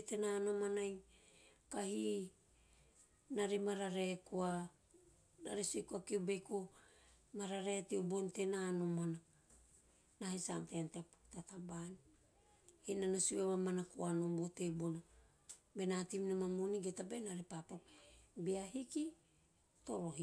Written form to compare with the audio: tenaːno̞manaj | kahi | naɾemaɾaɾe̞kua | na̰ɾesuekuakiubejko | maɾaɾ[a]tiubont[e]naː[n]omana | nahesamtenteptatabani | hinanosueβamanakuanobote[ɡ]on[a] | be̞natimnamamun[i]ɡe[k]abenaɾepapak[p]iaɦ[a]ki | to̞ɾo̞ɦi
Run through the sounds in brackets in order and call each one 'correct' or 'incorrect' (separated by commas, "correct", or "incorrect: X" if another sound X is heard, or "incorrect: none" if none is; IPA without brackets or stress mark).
incorrect: e, correct, correct, incorrect: b, correct, correct, incorrect: t, incorrect: b, incorrect: i